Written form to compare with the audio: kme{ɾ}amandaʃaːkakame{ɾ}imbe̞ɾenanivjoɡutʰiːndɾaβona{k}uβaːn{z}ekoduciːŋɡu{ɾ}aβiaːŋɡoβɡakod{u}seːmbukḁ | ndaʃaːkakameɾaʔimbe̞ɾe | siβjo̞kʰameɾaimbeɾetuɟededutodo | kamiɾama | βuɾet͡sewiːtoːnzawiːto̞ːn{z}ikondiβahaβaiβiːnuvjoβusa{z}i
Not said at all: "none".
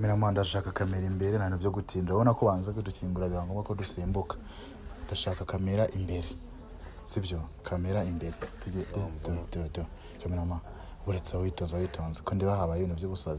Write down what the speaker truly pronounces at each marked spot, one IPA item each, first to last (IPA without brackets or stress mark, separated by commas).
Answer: ɾ, ɾ, k, z, ɾ, u, z, z